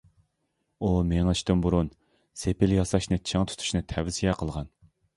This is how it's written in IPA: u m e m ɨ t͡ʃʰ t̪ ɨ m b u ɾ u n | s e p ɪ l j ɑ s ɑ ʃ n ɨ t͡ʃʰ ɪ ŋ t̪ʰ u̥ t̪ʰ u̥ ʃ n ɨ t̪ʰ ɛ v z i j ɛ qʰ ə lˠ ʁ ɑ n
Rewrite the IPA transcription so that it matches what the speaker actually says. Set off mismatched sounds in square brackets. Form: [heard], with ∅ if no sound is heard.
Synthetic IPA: u m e [ŋ] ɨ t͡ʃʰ t̪ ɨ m b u ɾ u n | s e p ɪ l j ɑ s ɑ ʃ n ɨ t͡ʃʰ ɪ ŋ t̪ʰ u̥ t̪ʰ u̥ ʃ n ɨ t̪ʰ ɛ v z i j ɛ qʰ ə lˠ ʁ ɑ n